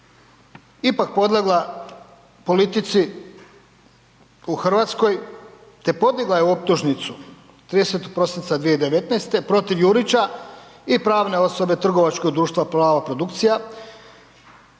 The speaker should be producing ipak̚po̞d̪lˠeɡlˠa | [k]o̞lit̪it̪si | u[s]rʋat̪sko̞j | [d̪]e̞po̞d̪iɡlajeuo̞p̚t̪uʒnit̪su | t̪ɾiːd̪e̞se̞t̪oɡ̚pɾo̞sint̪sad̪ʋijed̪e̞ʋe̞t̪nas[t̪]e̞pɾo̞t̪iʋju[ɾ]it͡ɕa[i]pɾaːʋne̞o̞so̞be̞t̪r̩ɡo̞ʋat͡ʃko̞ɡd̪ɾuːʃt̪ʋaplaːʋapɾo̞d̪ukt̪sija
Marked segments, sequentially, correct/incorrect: incorrect: p, incorrect: x, incorrect: t̪, correct, correct, correct

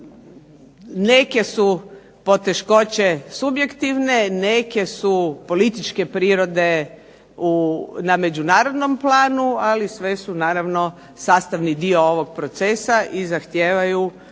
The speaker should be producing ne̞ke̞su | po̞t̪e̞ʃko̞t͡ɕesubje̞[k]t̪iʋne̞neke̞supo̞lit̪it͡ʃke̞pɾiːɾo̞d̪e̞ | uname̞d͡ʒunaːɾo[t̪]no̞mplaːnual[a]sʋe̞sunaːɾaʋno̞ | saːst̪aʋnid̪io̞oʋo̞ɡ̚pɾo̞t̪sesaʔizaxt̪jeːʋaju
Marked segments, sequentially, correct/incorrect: correct, incorrect: d̪, incorrect: i

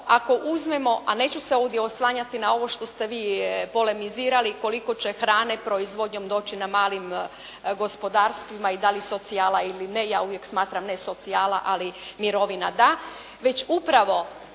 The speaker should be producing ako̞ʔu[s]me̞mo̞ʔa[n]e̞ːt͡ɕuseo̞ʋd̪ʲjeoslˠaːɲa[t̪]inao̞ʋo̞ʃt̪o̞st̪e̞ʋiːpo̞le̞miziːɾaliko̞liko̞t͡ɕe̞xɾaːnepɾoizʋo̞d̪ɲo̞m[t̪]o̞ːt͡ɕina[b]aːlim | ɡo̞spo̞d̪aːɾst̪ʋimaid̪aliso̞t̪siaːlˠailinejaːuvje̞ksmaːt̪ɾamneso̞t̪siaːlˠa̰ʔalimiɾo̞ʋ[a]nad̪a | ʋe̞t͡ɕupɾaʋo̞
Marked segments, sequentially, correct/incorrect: incorrect: z, correct, correct, incorrect: d̪, incorrect: m, incorrect: i

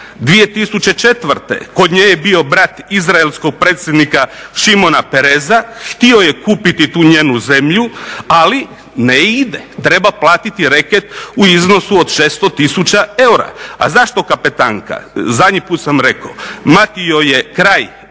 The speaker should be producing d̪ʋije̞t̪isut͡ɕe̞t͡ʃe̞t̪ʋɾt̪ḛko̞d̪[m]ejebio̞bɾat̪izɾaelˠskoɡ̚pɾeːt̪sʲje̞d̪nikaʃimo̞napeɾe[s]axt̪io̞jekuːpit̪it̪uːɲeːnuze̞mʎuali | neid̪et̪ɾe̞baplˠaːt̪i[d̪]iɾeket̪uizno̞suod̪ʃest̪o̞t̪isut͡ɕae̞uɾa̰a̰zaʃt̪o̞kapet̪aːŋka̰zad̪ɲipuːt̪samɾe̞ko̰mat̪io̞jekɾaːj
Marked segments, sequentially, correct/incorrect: incorrect: ɲ, incorrect: z, incorrect: t̪

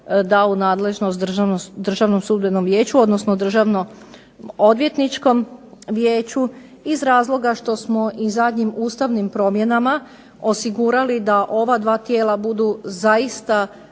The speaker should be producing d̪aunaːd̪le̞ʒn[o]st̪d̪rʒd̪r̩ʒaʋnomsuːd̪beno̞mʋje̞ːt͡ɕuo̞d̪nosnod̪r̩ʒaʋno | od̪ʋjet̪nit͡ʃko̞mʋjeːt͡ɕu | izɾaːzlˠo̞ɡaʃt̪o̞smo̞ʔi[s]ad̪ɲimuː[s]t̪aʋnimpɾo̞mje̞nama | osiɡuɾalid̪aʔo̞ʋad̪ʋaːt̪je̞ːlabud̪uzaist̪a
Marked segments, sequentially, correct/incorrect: correct, incorrect: z, correct

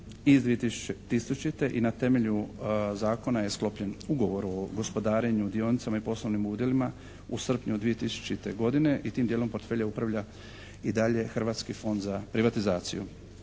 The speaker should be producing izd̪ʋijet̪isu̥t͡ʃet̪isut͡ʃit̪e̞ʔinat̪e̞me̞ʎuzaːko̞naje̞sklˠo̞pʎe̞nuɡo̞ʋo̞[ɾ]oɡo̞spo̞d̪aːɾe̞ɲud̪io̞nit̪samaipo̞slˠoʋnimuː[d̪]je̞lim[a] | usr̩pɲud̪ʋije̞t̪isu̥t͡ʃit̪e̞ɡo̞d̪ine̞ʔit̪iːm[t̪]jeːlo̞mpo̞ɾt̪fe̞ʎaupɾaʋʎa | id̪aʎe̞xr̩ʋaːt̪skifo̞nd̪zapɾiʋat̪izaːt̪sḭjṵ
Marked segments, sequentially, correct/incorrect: correct, correct, correct, incorrect: d̪

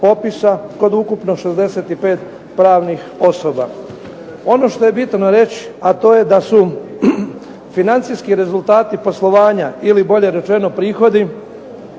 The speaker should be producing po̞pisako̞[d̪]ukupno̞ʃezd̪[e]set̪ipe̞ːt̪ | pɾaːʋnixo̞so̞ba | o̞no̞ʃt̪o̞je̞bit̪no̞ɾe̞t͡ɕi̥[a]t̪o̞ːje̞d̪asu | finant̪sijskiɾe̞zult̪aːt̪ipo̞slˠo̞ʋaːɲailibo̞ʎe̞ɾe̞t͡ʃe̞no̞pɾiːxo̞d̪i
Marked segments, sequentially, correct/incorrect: correct, correct, correct

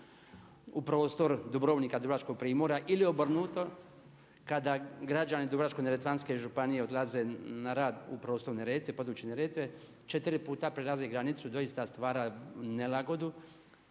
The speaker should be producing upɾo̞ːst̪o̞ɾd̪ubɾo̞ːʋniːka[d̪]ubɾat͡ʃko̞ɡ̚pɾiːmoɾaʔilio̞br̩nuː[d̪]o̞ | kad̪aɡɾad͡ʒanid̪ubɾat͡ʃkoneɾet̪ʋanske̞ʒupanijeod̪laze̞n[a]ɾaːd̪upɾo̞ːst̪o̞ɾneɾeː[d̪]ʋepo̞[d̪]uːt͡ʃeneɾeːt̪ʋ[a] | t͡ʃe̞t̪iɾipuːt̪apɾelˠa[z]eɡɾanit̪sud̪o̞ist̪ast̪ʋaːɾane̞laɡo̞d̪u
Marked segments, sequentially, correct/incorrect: correct, incorrect: t̪, correct, incorrect: t̪, correct, incorrect: e, correct

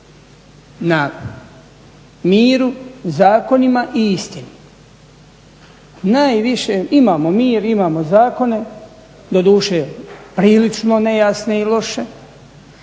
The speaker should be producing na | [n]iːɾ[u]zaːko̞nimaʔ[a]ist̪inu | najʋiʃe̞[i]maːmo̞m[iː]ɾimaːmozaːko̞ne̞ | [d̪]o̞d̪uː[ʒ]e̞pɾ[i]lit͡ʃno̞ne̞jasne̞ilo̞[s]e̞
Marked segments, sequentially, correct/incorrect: incorrect: m, correct, incorrect: i, correct, correct, correct, incorrect: ʃ, incorrect: iː, incorrect: ʃ

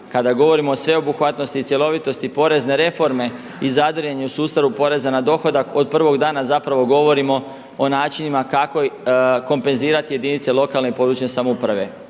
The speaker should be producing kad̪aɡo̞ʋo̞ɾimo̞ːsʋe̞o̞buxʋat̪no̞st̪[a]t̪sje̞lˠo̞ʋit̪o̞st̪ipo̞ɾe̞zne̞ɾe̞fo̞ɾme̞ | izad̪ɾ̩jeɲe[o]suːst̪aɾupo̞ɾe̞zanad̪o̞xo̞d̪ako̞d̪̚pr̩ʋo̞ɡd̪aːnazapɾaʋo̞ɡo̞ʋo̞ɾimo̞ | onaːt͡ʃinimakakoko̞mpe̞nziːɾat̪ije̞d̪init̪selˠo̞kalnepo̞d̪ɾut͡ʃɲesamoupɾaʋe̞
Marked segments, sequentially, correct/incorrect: incorrect: i, incorrect: u

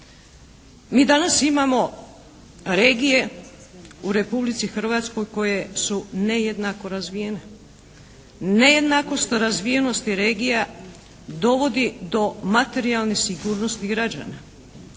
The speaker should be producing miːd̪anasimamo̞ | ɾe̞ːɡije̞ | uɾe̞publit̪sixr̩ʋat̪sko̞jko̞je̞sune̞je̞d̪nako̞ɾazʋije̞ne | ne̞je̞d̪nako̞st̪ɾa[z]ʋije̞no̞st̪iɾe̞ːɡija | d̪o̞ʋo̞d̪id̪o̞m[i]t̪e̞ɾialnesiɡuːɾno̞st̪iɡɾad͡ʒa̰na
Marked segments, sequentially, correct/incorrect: correct, incorrect: a

